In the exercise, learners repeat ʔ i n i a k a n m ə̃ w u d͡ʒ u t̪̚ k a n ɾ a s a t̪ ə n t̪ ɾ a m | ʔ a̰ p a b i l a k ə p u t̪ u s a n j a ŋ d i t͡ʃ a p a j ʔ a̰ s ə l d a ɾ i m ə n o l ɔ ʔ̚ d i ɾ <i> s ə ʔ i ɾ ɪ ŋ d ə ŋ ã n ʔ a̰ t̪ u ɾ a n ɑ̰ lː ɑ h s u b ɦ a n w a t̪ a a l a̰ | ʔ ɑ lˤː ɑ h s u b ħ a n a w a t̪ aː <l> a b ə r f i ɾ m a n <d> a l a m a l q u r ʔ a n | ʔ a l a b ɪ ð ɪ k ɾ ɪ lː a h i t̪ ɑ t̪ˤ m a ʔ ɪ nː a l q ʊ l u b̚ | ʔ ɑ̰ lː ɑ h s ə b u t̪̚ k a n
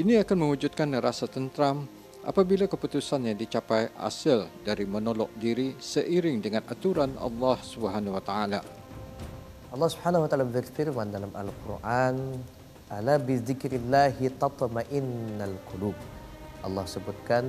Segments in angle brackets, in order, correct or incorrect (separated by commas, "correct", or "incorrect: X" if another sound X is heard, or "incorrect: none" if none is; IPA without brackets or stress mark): correct, correct, correct